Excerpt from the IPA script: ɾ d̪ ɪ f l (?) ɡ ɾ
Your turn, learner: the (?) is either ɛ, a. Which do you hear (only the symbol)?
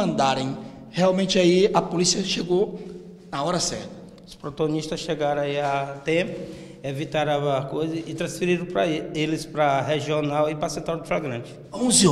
a